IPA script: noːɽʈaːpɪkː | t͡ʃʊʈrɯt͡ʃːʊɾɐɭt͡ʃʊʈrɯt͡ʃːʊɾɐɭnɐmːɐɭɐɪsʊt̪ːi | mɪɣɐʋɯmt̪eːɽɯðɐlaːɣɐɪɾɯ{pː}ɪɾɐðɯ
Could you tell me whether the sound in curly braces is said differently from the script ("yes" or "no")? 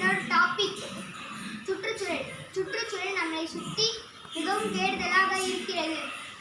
yes